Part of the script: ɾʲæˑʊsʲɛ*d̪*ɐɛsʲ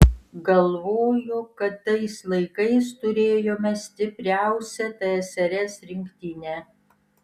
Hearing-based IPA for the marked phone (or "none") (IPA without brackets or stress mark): t̪